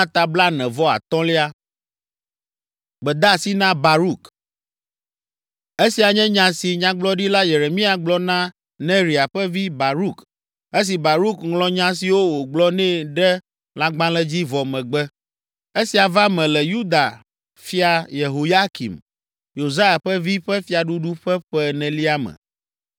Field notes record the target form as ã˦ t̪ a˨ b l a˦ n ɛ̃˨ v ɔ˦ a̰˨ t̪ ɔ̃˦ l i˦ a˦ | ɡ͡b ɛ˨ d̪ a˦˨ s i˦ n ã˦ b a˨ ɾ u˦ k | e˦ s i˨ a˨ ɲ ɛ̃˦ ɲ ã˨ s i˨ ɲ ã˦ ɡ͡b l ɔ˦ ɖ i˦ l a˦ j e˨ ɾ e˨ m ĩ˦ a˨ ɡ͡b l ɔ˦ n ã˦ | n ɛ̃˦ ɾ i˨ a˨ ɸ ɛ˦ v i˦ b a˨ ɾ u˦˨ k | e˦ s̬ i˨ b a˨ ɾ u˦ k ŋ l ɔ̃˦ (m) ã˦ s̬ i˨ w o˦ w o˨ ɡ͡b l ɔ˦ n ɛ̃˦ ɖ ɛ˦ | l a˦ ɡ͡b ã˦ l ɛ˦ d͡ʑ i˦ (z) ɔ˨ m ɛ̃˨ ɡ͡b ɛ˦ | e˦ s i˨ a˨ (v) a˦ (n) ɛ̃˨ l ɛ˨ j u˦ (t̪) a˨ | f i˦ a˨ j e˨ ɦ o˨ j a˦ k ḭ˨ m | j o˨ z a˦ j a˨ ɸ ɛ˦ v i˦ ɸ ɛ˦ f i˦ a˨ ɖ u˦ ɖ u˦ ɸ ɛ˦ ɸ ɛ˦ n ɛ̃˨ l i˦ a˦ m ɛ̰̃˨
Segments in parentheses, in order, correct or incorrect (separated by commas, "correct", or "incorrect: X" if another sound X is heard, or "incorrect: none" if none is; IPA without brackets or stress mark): incorrect: ɲ, incorrect: v, correct, incorrect: m, incorrect: d̪